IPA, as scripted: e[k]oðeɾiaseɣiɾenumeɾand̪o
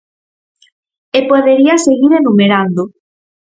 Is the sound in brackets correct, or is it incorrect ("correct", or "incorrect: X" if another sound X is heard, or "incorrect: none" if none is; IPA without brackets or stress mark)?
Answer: incorrect: p